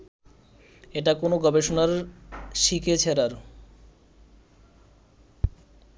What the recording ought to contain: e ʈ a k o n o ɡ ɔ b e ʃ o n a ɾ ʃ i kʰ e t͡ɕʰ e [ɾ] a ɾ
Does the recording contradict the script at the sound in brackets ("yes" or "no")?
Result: no